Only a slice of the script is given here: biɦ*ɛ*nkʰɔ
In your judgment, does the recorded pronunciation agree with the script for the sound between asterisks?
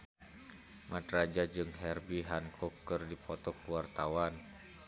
no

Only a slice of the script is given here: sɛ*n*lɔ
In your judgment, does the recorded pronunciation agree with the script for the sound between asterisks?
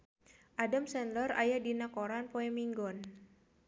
yes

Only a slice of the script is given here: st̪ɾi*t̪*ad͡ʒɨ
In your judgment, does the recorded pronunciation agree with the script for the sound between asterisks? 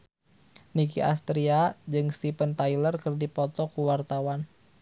no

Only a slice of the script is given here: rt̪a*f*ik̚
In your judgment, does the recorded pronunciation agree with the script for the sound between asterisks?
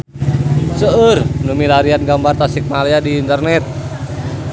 no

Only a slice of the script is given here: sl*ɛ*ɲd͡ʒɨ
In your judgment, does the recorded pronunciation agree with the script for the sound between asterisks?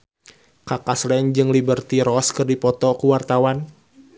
yes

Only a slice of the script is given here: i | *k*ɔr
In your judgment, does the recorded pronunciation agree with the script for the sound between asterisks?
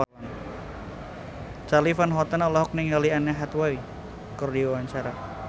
yes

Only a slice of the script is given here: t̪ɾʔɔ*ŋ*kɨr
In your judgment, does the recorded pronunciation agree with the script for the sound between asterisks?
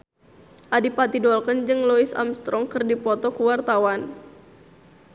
yes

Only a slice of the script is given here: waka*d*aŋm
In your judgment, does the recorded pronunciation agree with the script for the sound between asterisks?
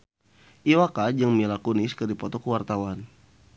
no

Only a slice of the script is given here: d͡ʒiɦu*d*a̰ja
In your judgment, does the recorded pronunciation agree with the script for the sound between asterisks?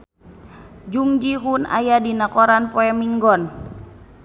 no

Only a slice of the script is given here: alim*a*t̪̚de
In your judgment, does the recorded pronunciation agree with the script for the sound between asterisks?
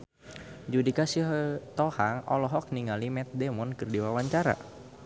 no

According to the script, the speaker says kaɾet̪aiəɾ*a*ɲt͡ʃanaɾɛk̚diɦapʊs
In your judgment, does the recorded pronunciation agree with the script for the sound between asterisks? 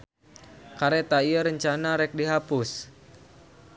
no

